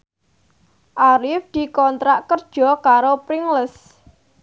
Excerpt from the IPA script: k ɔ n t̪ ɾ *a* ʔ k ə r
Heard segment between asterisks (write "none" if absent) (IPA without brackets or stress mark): a